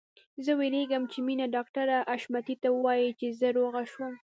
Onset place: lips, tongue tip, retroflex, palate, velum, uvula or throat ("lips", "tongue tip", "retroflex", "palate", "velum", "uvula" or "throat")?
tongue tip